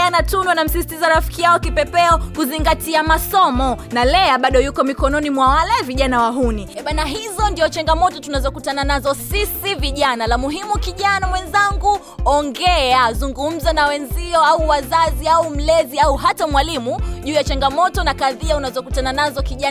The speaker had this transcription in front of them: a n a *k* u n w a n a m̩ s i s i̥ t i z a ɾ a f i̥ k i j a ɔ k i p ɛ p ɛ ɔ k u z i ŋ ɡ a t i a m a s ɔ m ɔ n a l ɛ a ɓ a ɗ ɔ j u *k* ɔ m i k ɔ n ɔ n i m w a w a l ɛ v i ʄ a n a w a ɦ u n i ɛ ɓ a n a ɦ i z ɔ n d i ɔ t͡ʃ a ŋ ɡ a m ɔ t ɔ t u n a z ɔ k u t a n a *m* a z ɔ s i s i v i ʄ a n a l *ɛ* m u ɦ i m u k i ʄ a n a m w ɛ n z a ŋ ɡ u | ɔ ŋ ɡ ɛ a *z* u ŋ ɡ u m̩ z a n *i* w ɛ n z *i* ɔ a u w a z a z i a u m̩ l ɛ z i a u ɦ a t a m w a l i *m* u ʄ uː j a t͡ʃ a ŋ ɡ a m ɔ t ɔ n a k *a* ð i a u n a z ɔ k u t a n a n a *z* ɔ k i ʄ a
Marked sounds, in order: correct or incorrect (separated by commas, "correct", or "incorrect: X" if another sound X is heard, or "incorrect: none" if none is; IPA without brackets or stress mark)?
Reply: incorrect: t, correct, incorrect: n, incorrect: a, correct, incorrect: a, correct, correct, correct, correct